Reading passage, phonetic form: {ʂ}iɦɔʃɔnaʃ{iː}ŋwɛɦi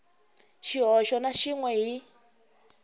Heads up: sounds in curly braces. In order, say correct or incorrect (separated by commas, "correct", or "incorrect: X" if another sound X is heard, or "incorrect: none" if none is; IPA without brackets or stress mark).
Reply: incorrect: ʃ, incorrect: i